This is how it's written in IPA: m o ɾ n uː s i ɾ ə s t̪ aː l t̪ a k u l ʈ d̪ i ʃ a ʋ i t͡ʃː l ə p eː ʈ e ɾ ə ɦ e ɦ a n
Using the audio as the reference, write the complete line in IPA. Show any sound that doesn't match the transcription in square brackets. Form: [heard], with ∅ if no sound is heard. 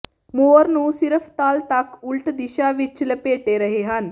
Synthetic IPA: m o ɾ n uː s i ɾ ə [f] t̪ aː l t̪ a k u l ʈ d̪ i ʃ a ʋ i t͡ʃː l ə p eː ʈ e ɾ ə ɦ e ɦ a n

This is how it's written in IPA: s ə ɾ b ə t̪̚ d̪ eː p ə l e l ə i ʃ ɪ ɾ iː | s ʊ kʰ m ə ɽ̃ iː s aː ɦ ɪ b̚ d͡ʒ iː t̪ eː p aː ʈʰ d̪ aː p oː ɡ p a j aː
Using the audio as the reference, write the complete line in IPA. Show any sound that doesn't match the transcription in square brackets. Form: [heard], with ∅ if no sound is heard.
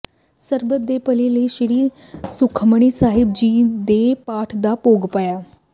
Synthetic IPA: s ə ɾ b ə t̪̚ d̪ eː p ə l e l ə i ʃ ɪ ɾ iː | s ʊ kʰ m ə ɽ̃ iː s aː ɦ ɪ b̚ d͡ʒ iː [d̪] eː p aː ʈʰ d̪ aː p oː ɡ p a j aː

